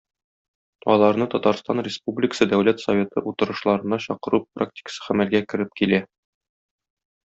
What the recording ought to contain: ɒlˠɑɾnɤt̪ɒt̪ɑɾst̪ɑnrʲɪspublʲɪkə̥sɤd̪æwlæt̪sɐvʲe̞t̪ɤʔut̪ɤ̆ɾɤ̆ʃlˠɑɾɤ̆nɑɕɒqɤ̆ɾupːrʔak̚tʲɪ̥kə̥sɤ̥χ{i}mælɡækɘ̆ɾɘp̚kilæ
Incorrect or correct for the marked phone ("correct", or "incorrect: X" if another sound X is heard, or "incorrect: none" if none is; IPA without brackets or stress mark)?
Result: incorrect: æ